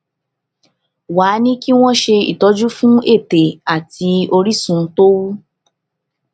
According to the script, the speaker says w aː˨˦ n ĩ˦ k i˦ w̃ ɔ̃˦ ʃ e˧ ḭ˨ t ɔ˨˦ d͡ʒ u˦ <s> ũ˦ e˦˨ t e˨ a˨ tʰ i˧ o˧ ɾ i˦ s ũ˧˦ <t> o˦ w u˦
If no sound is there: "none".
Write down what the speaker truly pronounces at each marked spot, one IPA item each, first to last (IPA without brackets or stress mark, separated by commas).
f, t